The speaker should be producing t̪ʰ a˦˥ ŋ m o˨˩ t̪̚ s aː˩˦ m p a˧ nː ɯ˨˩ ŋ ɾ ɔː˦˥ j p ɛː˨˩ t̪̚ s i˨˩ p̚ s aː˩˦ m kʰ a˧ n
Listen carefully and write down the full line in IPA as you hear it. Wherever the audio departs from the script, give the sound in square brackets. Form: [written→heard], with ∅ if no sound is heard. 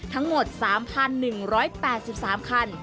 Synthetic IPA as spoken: t̪ʰ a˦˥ ŋ m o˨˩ t̪̚ s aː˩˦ m [p→pʰ] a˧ nː ɯ˨˩ ŋ ɾ ɔː˦˥ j p ɛː˨˩ t̪̚ s i˨˩ p̚ s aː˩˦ m kʰ a˧ n